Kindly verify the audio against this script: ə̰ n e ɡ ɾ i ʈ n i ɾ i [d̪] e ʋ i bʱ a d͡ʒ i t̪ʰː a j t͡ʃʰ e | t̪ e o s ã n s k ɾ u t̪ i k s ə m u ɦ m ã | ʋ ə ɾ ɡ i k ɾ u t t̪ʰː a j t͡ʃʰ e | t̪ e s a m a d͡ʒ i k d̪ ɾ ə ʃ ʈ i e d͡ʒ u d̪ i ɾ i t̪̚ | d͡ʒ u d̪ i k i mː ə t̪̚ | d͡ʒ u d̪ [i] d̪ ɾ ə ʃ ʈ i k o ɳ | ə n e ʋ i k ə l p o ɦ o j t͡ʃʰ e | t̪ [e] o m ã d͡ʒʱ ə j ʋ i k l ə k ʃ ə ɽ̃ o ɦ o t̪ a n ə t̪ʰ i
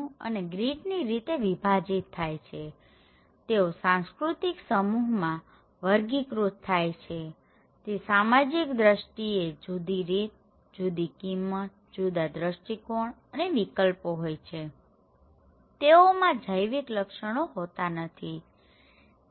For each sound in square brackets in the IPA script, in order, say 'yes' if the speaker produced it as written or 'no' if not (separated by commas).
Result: no, no, yes